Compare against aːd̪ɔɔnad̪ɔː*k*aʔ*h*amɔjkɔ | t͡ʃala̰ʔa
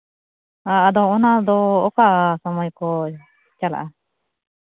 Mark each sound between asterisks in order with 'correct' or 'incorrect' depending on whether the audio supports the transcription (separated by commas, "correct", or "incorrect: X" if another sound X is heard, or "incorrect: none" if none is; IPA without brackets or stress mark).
correct, incorrect: s